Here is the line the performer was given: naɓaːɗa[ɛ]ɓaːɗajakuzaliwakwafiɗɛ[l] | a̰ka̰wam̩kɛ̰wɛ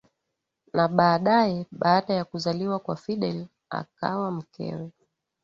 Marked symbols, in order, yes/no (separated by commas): yes, yes